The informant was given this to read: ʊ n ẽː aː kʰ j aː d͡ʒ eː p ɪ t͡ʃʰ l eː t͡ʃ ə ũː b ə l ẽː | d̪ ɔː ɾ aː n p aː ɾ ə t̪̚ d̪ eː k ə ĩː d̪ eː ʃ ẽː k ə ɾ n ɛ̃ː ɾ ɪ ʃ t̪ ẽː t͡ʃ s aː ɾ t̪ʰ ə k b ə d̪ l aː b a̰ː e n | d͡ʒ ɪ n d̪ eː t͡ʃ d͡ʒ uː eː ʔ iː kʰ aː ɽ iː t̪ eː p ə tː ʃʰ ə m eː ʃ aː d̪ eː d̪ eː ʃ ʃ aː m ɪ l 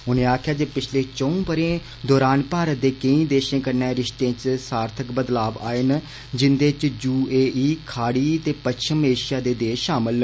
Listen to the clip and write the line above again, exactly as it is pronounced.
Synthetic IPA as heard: ʊ n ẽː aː kʰ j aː d͡ʒ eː p ɪ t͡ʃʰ l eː t͡ʃ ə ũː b ə ɾ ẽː | d̪ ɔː ɾ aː n p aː ɾ ə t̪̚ d̪ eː k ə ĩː d̪ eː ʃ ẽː k ə ɾ n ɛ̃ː ɾ ɪ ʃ t̪ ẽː t͡ʃ s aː ɾ t̪ʰ ə k b ə d̪ l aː b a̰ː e n | d͡ʒ ɪ n d̪ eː t͡ʃ d͡ʒ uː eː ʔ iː kʰ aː ɽ iː t̪ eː p ə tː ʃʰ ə m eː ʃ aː d̪ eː d̪ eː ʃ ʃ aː m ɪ l